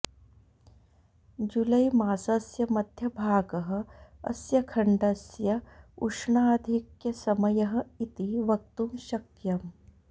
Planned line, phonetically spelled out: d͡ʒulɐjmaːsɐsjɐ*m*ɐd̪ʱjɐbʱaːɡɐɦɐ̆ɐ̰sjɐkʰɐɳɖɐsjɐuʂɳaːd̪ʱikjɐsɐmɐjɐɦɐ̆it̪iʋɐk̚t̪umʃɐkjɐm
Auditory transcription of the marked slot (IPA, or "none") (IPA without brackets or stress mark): m